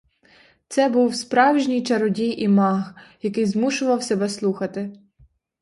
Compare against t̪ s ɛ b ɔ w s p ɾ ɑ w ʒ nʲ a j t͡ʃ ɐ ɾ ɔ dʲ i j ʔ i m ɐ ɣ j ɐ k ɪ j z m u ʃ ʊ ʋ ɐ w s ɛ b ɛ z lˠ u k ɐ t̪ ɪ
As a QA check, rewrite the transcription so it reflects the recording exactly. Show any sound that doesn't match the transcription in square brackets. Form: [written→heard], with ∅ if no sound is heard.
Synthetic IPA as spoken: t̪ s ɛ b [ɔ→u] w s p ɾ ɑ w ʒ nʲ [a→i] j t͡ʃ ɐ ɾ ɔ dʲ i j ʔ i m [ɐ→ɑ] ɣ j ɐ k ɪ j z m u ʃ ʊ ʋ ɐ w s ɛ b ɛ [z→s] lˠ u [k→x] ɐ t̪ ɪ